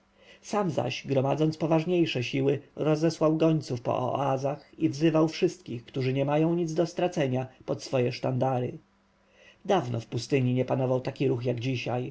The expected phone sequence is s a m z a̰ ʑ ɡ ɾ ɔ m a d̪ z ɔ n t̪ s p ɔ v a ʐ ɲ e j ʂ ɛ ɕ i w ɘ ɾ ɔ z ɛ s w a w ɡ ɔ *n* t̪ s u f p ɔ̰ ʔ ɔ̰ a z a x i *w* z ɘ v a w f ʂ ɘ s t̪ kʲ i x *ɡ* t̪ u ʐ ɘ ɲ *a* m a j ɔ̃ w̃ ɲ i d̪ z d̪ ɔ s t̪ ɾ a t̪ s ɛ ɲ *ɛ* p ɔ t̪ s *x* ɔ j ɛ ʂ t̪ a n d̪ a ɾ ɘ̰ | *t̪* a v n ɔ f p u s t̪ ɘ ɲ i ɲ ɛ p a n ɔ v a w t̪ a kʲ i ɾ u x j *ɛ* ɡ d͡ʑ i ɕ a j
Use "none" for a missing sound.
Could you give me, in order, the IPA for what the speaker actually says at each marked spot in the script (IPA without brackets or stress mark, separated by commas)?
ɲ, v, k, ɛ, a, f, d̪, a